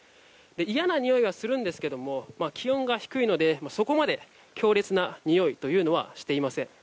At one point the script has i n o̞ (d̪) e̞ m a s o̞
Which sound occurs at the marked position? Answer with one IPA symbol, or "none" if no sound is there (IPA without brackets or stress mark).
d̪